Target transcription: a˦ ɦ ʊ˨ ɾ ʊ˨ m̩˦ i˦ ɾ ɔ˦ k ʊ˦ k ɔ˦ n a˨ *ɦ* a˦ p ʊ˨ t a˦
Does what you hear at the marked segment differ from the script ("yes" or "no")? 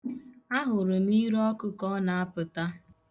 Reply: yes